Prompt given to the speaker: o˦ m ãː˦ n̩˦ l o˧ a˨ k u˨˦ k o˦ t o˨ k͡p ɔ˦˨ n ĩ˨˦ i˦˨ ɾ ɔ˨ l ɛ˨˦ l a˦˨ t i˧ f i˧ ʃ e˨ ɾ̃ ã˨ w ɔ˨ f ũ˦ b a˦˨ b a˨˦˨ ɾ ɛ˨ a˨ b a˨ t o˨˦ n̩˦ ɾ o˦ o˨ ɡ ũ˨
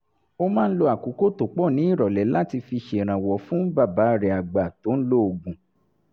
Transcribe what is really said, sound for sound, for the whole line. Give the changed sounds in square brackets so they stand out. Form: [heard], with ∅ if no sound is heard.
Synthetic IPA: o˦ m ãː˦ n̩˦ l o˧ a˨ k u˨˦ k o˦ t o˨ k͡p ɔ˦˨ n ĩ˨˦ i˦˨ ɾ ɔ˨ l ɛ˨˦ l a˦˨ t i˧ f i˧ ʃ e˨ ɾ̃ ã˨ w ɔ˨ f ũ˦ b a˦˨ b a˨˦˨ ɾ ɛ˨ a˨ [ɡ͡b] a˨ t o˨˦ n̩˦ [l] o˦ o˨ ɡ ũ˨